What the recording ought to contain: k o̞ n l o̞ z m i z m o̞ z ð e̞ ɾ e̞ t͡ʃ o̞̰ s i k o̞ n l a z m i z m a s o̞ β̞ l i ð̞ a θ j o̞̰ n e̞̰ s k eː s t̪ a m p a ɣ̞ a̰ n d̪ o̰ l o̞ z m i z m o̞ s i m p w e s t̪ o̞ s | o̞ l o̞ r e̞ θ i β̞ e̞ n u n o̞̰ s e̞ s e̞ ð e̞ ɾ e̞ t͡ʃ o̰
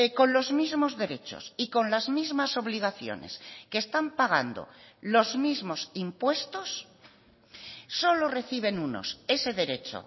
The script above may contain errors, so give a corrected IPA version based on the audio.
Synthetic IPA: k o̞ n l o̞ z m i z m o̞ z ð e̞ ɾ e̞ t͡ʃ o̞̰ s i k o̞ n l a z m i z m a s o̞ β̞ l i ɣ̞ a θ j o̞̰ n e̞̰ s k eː s t̪ a m p a ɣ̞ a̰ n d̪ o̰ l o̞ z m i z m o̞ s i m p w e s t̪ o̞ s | o̞ l o̞ r e̞ θ i β̞ e̞ n u n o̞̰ s e̞ s e̞ ð e̞ ɾ e̞ t͡ʃ o̰

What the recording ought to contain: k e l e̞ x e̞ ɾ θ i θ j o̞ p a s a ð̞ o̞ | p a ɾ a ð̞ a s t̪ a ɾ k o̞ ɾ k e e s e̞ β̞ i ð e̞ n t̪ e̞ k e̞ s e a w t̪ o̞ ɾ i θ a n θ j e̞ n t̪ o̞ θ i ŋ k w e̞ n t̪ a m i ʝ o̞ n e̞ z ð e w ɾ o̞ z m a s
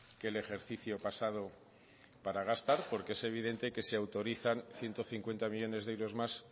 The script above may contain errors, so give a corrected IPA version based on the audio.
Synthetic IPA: k e l e̞ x e̞ ɾ θ i θ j o̞ p a s a ð̞ o̞ | p a ɾ a ɣ̞ a s t̪ a ɾ p o̞ ɾ k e e s e̞ β̞ i ð e̞ n t̪ e̞ k e̞ s e a w t̪ o̞ ɾ i θ a n θ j e̞ n t̪ o̞ θ i ŋ k w e̞ n t̪ a m i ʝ o̞ n e̞ z ð e w ɾ o̞ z m a s

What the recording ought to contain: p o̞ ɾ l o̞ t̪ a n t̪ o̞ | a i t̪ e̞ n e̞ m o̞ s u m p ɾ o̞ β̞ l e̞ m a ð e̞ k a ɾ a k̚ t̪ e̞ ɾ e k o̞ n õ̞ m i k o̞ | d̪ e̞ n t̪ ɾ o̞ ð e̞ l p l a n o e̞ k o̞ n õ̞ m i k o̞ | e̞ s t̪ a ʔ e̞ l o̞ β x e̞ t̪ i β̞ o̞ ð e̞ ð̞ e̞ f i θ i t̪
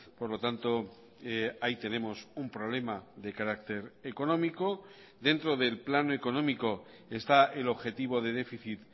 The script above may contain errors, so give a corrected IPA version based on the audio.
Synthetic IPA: p o̞ ɾ l o̞ t̪ a n t̪ o̞ | a i t̪ e̞ n e̞ m o̞ s u m p ɾ o̞ β̞ l e̞ m a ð e̞ k a ɾ a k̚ t̪ e̞ ɾ e k o̞ n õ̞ m i k o̞ | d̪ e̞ n t̪ ɾ o̞ ð e̞ l p l a n o e̞ k o̞ n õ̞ m i k o̞ | e̞ s t̪ a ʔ e̞ l o̞ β x e̞ t̪ i β̞ o̞ ð e̞ ð̞ e̞ f i θ i t̪

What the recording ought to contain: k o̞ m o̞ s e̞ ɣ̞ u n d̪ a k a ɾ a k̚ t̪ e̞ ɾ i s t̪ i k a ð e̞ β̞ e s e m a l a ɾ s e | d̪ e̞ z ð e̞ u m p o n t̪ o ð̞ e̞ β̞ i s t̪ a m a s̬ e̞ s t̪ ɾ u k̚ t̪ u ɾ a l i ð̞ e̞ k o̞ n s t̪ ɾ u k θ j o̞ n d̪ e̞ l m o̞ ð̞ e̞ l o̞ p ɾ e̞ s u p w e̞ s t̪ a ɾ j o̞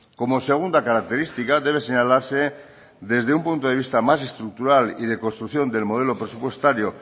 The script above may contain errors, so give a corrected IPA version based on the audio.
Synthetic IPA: k o̞ m o̞ s e̞ ɣ̞ u n d̪ a k a ɾ a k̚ t̪ e̞ ɾ i s t̪ i k a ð e̞ β̞ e s e ɲ a l a ɾ s e | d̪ e̞ z ð e̞ u m p u n t̪ o ð̞ e̞ β̞ i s t̪ a m a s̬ e̞ s t̪ ɾ u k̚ t̪ u ɾ a l i ð̞ e̞ k o̞ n s t̪ ɾ u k θ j o̞ n d̪ e̞ l m o̞ ð̞ e̞ l o̞ p ɾ e̞ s u p w e̞ s t̪ a ɾ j o̞

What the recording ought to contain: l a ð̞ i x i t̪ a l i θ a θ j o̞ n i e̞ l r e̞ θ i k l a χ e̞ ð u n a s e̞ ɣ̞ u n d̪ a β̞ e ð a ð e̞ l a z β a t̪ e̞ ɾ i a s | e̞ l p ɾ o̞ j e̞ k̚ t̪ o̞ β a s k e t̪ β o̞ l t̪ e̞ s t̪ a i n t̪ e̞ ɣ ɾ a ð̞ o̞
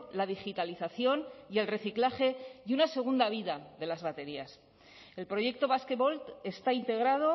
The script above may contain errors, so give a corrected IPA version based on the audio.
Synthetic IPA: l a ð̞ i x i t̪ a l i θ a θ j o̞ n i e̞ l r e̞ θ i k l a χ e̞ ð u n a s e̞ ɣ̞ u n d̪ a β̞ i ð a ð e̞ l a z β a t̪ e̞ ɾ i a s | e̞ l p ɾ o̞ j e̞ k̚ t̪ o̞ β a s k e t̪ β o̞ l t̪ e̞ s t̪ a i n t̪ e̞ ɣ ɾ a ð̞ o̞

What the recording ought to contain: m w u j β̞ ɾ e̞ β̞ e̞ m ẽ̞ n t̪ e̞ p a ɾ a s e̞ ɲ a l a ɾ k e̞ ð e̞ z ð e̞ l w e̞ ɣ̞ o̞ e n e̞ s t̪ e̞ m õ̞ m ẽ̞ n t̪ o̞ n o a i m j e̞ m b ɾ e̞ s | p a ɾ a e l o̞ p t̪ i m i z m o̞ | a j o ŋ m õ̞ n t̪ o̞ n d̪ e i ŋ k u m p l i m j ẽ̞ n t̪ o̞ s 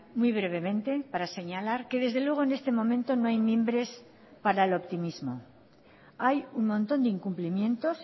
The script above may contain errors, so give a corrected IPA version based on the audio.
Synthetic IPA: m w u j β̞ ɾ e̞ β̞ e̞ m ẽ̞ n t̪ e̞ p a ɾ a s e̞ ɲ a l a ɾ k e̞ ð e̞ z ð e̞ l w e̞ ɣ̞ o̞ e n e̞ s t̪ e̞ m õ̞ m ẽ̞ n t̪ o̞ n o a j m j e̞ m b ɾ e̞ s | p a ɾ a e l o̞ p t̪ i m i z m o̞ | a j u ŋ m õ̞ n t̪ o̞ n d̪ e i ŋ k u m p l i m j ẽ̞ n t̪ o̞ s

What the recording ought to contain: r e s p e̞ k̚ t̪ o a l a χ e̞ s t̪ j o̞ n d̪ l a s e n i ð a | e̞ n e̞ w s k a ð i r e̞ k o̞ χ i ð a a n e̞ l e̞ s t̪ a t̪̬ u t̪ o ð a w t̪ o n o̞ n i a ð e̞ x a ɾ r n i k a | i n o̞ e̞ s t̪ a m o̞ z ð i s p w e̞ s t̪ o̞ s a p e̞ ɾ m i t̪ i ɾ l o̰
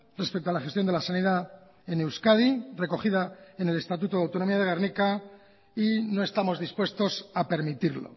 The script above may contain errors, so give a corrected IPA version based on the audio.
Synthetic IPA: r e s p e̞ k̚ t̪ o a l a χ e̞ s t̪ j o̞ n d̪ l a s a n i ð a | e̞ n e̞ w s k a ð i r e̞ k o̞ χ i ð a e n e̞ l e̞ s t̪ a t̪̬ u t̪ o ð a w t̪ o n o̞ m i a ð e̞ ɣ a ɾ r n i k a | i n o̞ e̞ s t̪ a m o̞ z ð i s p w e̞ s t̪ o̞ s a p e̞ ɾ m i t̪ i ɾ l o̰

